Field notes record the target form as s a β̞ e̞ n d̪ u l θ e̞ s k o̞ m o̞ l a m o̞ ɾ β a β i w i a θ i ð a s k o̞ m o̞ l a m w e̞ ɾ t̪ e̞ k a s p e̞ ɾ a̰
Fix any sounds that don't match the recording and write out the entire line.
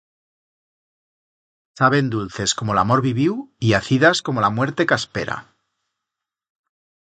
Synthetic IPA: s a β̞ e̞ n d̪ u l θ e̞ s k o̞ m o̞ l a m o̞ ɾ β i β i w i a θ i ð a s k o̞ m o̞ l a m w e̞ ɾ t̪ e̞ k a s p e̞ ɾ a̰